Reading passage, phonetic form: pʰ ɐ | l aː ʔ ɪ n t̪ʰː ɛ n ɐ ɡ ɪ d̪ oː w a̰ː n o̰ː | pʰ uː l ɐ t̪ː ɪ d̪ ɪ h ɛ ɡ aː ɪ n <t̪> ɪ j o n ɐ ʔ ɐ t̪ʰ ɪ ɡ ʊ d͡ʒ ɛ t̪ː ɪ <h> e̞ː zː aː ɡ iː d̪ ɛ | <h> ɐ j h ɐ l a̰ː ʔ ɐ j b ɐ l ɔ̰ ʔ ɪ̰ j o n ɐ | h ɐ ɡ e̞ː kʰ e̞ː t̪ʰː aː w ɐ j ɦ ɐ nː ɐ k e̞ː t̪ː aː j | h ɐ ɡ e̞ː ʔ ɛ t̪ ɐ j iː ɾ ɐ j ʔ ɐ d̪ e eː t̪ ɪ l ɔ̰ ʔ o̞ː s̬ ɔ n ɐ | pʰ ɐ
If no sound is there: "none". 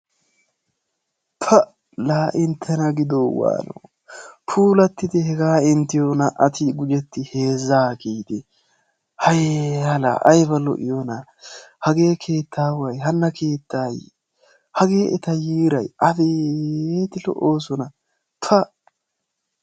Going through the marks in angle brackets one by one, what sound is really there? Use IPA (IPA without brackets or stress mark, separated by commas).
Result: t̪, h, h